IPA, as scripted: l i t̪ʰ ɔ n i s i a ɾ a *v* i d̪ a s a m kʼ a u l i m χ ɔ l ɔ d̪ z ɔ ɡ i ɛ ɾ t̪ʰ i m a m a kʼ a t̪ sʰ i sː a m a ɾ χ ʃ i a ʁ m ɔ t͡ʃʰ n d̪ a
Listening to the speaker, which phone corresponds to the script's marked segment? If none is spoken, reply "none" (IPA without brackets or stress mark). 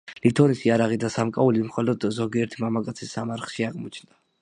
ʁ